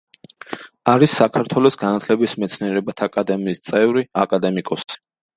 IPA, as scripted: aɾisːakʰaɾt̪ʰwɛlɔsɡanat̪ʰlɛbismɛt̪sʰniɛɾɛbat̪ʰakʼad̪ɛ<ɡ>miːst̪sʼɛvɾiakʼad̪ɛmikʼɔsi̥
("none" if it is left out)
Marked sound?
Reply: none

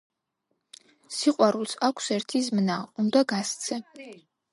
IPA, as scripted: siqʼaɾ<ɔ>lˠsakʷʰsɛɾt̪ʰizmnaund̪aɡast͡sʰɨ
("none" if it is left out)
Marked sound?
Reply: u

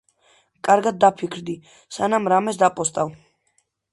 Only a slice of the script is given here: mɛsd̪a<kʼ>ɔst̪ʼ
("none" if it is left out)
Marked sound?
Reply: pʼ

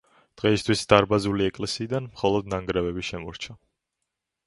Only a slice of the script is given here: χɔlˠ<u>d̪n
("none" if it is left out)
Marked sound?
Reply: ɔ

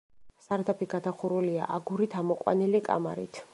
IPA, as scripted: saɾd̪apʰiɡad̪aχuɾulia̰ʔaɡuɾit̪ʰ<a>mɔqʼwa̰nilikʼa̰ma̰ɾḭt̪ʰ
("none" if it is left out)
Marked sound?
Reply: a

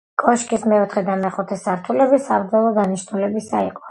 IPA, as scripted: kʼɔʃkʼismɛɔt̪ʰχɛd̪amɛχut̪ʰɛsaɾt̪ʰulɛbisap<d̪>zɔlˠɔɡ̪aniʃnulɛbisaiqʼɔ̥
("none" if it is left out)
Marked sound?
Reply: d̪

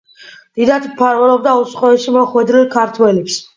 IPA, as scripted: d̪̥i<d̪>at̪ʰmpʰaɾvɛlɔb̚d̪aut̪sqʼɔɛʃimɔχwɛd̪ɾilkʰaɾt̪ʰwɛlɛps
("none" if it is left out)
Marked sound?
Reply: d̪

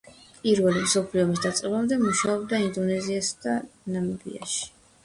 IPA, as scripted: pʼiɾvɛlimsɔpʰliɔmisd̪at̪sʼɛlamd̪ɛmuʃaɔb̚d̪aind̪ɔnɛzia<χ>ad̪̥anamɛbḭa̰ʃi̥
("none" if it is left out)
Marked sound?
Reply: s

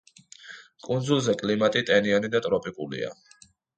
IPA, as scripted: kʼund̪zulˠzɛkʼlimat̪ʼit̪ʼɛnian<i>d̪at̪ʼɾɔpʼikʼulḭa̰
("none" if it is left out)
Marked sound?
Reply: i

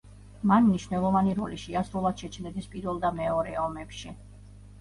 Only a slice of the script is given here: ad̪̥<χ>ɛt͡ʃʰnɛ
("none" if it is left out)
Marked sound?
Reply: ʃ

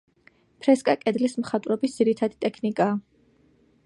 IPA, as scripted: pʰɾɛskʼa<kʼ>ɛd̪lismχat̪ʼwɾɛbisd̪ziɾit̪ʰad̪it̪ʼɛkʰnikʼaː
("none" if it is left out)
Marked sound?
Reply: kʼ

